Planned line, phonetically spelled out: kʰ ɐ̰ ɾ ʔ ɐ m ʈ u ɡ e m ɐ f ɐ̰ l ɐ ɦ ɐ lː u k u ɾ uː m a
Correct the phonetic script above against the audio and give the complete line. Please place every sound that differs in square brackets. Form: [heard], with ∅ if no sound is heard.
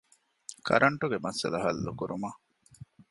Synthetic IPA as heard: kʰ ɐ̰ ɾ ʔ ɐ [ɳ] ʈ u ɡ e m ɐ [s] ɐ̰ l ɐ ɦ ɐ lː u k u ɾ [u] m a